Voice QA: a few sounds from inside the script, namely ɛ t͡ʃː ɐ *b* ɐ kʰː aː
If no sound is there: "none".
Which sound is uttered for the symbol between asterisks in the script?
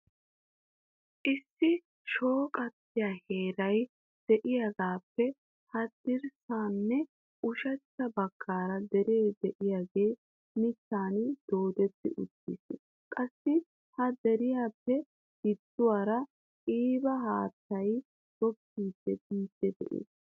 b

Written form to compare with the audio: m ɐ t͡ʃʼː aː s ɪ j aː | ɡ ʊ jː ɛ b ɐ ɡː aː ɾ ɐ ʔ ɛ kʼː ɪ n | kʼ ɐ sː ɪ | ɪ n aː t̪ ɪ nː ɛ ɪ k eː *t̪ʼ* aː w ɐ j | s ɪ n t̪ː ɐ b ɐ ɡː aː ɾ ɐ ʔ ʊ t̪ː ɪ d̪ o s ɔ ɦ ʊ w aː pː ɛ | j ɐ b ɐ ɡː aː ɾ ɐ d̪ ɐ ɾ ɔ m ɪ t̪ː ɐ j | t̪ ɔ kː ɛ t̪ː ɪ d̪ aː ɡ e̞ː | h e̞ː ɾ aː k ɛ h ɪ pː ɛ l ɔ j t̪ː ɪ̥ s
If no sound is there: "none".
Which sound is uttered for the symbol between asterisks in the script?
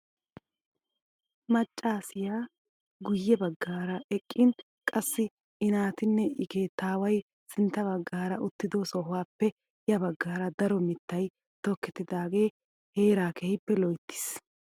t̪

